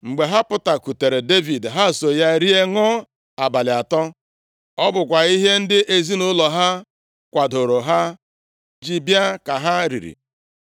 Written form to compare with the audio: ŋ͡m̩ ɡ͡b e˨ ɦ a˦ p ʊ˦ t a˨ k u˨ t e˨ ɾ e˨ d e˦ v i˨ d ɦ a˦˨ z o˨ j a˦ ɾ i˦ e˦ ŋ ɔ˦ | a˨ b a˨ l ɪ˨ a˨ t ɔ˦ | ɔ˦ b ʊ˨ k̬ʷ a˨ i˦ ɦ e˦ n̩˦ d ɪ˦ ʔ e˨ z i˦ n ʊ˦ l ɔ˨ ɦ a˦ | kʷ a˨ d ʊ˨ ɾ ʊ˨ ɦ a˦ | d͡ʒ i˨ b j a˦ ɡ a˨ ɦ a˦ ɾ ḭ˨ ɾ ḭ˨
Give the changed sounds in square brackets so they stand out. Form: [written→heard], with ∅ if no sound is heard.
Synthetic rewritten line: ŋ͡m̩ ɡ͡b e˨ ɦ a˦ p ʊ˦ t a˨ k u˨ t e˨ ɾ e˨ d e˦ v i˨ d ɦ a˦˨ [z→s] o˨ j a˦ ɾ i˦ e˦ ŋ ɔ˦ | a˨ b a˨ l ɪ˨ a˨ t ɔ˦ | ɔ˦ b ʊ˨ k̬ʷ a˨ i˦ ɦ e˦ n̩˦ d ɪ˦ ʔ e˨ z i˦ n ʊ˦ l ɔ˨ ɦ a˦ | kʷ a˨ d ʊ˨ ɾ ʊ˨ ɦ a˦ | d͡ʒ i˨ b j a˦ [ɡ→k] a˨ ɦ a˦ ɾ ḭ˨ ɾ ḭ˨